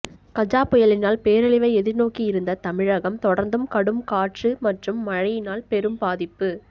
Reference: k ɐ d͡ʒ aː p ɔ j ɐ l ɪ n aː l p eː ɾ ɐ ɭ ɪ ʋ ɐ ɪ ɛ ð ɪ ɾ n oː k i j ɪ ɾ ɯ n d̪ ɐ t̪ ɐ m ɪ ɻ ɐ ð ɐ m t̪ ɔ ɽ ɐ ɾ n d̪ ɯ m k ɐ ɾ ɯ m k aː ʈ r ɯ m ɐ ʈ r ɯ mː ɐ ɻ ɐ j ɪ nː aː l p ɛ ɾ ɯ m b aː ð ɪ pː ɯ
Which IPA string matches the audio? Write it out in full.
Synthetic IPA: k ɐ d͡ʒ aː p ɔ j ɐ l ɪ n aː l p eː ɾ ɐ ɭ ɪ ʋ ɐ ɪ ɛ ð ɪ ɾ n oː k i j ɪ ɾ ɯ n d̪ ɐ t̪ ɐ m ɪ ɻ ɐ ɣ ɐ m t̪ ɔ ɽ ɐ ɾ n d̪ ɯ m k ɐ ɽ ɯ m k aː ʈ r ɯ m ɐ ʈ r ɯ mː ɐ ɻ ɐ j ɪ n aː l p ɛ ɾ ɯ m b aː ð ɪ pː ɯ